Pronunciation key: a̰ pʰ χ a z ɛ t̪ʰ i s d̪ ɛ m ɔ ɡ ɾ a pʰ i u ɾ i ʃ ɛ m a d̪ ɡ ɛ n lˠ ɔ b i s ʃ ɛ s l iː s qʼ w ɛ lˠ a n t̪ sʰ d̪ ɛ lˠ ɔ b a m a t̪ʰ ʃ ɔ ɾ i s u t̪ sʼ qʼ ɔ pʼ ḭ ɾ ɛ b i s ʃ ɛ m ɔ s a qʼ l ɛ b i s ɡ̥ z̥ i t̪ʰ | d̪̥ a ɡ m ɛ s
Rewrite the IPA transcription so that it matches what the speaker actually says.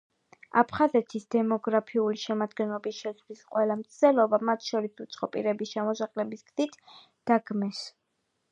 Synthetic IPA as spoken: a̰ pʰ χ a z ɛ t̪ʰ i s d̪ ɛ m ɔ ɡ ɾ a pʰ i u l i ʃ ɛ m a d̪ ɡ ɛ n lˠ ɔ b i s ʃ ɛ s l i s qʼ w ɛ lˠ a m t̪ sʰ d̪ ɛ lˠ ɔ b a m a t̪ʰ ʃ ɔ ɾ i s u t̪ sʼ qʼ ɔ pʼ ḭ ɾ ɛ b i s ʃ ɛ m ɔ s a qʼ l ɛ b i s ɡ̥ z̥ i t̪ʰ | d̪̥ a ɡ m ɛ s

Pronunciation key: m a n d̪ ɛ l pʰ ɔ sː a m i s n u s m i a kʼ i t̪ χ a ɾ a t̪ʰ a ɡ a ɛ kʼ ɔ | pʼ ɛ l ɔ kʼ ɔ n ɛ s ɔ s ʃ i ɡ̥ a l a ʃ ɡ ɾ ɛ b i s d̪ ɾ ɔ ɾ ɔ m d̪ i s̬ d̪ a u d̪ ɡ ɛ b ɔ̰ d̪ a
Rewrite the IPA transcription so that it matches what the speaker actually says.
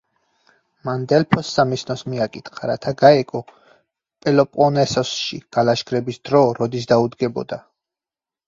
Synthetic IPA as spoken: m a n d̪ ɛ l pʰ ɔ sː a m i s n ɔ s m i a kʼ i t̪ χ a ɾ a t̪ʰ a ɡ a ɛ kʼ ɔ | pʼ ɛ l ɔ pʼ ɔ n ɛ s ɔ s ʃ i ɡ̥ a l a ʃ ɡ ɾ ɛ b i s d̪ ɾ ɔ ɾ ɔ d̪ i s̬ d̪ a u d̪ ɡ ɛ b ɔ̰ d̪ a

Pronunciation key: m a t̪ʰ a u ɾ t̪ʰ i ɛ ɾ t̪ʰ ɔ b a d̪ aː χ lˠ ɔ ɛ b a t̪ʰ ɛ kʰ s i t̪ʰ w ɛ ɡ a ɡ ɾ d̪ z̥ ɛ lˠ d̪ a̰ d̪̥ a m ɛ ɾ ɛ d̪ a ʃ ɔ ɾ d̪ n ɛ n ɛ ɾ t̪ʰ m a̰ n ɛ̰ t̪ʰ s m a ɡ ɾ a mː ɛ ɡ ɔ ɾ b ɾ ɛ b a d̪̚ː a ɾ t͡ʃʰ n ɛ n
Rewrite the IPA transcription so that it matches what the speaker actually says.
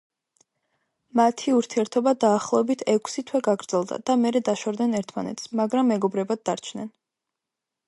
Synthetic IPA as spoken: m a t̪ʰ i u ɾ t̪ʰ i ɛ ɾ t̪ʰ ɔ b a d̪ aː χ lˠ ɔ ɛ b i t̪ʰ ɛ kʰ s i t̪ʰ w ɛ ɡ a ɡ ɾ d̪ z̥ ɛ lˠ d̪ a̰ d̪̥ a m ɛ ɾ ɛ d̪ a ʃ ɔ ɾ d̪ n ɛ n ɛ ɾ t̪ʰ m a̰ n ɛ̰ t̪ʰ s m a ɡ ɾ a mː ɛ ɡ ɔ b ɾ ɛ b a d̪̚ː a ɾ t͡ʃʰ n ɛ n

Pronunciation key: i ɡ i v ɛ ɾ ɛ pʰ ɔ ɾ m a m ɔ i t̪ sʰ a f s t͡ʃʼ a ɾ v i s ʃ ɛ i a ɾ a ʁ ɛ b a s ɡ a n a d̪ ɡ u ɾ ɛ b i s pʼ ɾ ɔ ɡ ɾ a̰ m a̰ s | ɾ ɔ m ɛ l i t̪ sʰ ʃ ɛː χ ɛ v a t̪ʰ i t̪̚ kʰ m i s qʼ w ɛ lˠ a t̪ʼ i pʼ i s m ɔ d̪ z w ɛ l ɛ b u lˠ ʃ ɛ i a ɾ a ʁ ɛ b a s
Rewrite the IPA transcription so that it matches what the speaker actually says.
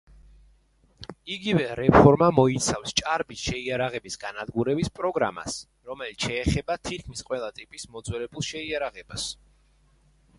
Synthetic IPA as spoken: i ɡ i v ɛ ɾ ɛ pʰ ɔ ɾ m a m ɔ i t̪ sʰ a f s t͡ʃʼ a ɾ b i s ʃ ɛ i a ɾ a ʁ ɛ b i s ɡ a n a d̪ ɡ u ɾ ɛ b i s pʼ ɾ ɔ ɡ ɾ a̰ m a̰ s | ɾ ɔ m ɛ l i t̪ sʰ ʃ ɛː χ ɛ b a t̪ʰ i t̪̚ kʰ m i s qʼ w ɛ lˠ a t̪ʼ i pʼ i s m ɔ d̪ z w ɛ l ɛ b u lˠ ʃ ɛ i a ɾ a ʁ ɛ b a s

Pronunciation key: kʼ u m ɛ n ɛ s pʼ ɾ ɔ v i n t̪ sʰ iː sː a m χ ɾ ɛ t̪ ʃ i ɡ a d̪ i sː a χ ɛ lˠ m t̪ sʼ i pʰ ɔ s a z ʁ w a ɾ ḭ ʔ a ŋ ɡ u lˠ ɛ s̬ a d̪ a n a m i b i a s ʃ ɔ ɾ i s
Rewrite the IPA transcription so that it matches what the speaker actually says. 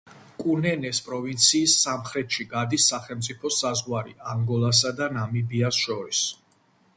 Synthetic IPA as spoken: kʼ u n ɛ n ɛ s pʼ ɾ ɔ v i n t̪ sʰ iː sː a m χ ɾ ɛ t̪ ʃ i ɡ a d̪ i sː a χ ɛ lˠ m t̪ sʼ i pʰ ɔ s a z ʁ w a ɾ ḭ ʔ a ŋ ɡ ɔ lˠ a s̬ a d̪ a n a m i b i a s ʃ ɔ ɾ i s

